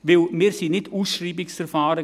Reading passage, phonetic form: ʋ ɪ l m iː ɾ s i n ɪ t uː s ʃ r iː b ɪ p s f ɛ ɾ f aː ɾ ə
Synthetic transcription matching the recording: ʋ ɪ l m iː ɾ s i n ɪ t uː s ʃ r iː b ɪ k s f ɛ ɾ f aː ɾ ə